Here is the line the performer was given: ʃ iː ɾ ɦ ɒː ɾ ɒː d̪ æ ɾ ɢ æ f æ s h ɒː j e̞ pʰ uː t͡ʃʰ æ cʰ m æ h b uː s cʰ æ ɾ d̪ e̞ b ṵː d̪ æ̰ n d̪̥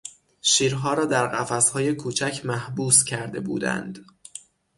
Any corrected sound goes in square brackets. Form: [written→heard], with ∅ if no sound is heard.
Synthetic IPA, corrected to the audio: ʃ iː ɾ ɦ ɒː ɾ ɒː d̪ æ ɾ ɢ æ f æ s h ɒː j e̞ [pʰ→kʰ] uː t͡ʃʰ æ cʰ m æ h b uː s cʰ æ ɾ d̪ e̞ b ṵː d̪ æ̰ n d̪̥